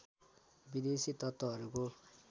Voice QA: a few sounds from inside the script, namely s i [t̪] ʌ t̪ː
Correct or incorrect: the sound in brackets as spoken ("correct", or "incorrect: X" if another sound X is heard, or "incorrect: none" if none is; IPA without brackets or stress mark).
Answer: correct